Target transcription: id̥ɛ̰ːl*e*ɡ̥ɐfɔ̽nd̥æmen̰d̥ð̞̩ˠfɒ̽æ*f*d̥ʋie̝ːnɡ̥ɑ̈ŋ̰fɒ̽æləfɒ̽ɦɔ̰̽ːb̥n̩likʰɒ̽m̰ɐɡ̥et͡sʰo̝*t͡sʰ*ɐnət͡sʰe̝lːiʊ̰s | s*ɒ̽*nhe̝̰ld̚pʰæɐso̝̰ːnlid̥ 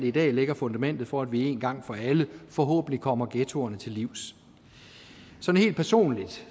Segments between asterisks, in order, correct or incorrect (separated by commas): correct, incorrect, incorrect, correct